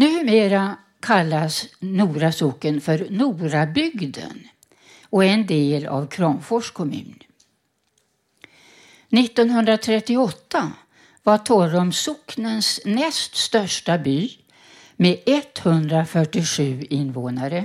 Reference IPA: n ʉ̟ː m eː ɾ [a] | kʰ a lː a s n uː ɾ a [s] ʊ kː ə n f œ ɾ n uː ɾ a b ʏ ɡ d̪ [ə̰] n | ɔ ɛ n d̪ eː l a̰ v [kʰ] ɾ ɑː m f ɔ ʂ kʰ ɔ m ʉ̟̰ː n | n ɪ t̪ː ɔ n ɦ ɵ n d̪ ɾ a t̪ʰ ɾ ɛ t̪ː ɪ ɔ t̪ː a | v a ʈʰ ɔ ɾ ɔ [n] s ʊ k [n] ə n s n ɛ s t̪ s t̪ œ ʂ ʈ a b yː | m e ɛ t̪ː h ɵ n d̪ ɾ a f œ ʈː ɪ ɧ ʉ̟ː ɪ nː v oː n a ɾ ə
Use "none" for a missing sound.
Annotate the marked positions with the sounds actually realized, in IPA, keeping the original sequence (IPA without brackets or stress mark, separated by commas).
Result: a, s, ə̰, kʰ, m, n